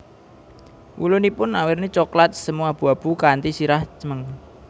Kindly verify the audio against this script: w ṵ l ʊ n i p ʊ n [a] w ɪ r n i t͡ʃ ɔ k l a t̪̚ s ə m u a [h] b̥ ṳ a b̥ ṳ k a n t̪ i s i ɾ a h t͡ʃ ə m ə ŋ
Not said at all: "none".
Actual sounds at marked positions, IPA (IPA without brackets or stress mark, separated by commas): a, none